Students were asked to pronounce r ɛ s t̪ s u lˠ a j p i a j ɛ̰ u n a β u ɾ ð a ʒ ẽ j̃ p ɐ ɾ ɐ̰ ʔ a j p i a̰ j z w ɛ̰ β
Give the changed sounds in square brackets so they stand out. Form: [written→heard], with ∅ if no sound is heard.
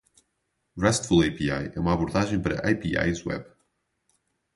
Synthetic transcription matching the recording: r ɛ s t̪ [s→f] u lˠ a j p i a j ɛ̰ u [n→m] a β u ɾ ð a ʒ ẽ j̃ p ɐ ɾ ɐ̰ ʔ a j p i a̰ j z w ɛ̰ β